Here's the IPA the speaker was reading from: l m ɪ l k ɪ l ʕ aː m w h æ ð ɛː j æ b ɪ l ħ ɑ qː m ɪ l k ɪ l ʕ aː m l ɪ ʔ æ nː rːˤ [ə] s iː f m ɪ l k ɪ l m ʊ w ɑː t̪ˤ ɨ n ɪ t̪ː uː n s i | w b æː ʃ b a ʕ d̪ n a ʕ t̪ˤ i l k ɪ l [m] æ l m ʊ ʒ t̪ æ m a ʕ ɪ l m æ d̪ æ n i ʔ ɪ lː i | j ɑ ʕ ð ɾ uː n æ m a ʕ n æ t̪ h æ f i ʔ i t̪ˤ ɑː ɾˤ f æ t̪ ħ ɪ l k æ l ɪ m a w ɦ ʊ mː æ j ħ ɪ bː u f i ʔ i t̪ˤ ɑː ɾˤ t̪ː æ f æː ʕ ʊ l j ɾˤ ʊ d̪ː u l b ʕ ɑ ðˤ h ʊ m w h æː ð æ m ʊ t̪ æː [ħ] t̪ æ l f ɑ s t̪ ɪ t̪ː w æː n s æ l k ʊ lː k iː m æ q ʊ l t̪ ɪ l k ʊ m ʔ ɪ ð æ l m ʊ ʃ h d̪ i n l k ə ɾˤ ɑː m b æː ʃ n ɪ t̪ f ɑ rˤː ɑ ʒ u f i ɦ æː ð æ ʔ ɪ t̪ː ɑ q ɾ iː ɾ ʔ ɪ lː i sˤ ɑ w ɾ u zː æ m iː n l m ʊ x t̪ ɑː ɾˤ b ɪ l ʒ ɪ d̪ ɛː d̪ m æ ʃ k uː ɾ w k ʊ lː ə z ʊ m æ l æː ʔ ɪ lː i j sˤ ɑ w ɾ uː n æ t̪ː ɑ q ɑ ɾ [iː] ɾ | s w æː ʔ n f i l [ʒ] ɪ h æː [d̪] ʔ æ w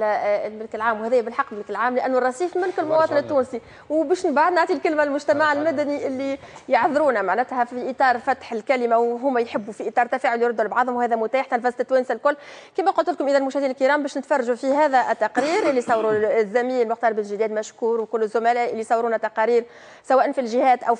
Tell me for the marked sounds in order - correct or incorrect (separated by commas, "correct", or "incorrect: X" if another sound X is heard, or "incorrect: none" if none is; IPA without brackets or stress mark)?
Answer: incorrect: ɑ, correct, correct, correct, correct, incorrect: t̪